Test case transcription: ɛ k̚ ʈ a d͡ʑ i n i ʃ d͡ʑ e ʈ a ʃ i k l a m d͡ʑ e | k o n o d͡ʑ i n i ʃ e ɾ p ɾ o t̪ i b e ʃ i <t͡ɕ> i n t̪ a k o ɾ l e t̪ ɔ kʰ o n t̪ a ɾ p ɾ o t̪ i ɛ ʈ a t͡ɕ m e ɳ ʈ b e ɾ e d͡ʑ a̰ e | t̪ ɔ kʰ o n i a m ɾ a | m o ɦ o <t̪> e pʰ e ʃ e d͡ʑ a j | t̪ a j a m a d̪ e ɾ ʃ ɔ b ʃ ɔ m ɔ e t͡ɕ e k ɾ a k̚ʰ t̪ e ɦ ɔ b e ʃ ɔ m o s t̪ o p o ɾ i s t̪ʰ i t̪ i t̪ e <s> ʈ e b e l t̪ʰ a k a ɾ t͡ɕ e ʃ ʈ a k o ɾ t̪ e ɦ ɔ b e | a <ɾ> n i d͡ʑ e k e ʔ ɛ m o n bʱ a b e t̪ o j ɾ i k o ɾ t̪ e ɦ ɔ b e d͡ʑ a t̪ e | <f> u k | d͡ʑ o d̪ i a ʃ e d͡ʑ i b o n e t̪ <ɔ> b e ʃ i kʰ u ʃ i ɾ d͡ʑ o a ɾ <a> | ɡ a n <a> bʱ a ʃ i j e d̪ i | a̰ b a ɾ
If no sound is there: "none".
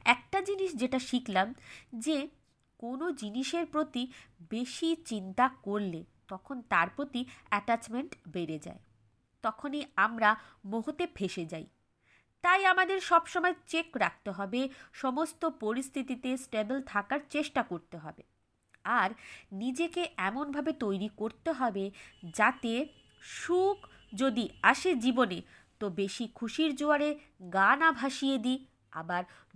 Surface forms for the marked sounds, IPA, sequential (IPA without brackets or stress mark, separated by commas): t͡ɕ, t̪, s, ɾ, ʃ, o, e, a